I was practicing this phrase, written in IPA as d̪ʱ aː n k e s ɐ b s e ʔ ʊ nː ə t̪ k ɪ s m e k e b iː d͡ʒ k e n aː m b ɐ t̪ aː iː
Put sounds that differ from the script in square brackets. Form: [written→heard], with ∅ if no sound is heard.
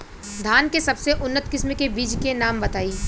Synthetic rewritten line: d̪ʱ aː n k e s ɐ b s e ʔ ʊ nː ə t̪ k ɪ s m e k e b iː d͡ʒ k e n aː m b ɐ t̪ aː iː